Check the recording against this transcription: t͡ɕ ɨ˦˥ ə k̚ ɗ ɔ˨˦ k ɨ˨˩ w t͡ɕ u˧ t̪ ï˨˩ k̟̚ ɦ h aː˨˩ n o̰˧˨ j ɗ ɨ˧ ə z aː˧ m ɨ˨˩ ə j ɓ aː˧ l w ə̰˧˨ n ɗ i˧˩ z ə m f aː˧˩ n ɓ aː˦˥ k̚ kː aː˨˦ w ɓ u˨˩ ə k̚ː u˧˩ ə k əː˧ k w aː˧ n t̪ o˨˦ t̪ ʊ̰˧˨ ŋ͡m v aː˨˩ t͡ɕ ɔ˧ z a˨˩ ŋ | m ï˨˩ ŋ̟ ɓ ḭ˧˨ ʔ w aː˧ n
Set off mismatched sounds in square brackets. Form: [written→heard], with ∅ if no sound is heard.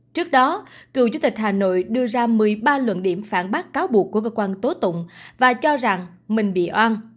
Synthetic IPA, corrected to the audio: t͡ɕ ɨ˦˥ ə k̚ ɗ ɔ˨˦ k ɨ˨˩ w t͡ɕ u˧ t̪ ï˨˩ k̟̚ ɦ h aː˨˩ n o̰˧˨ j ɗ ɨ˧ ə z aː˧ m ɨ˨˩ ə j ɓ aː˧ l w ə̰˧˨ n ɗ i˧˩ [z→∅] ə m f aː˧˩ n ɓ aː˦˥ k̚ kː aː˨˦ w ɓ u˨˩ ə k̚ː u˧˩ ə k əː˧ k w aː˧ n t̪ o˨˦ t̪ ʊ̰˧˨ ŋ͡m v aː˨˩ t͡ɕ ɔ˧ z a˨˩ ŋ | m ï˨˩ ŋ̟ ɓ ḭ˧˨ ʔ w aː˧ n